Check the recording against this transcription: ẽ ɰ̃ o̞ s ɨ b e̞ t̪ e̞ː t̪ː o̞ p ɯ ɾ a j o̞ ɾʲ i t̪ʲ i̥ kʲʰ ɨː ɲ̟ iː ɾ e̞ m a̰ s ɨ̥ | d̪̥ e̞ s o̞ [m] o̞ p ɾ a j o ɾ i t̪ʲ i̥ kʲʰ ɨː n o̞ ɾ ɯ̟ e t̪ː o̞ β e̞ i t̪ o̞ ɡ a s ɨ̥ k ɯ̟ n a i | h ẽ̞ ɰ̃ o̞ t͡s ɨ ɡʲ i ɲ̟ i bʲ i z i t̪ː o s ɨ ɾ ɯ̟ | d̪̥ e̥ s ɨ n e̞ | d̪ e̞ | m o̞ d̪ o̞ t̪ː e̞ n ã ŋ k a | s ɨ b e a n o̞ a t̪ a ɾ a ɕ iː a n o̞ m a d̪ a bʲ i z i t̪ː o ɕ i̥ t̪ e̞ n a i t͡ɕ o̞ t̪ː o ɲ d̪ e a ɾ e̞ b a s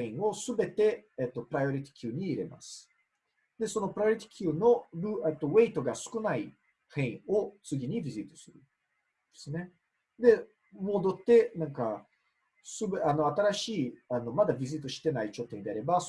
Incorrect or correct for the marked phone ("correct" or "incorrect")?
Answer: incorrect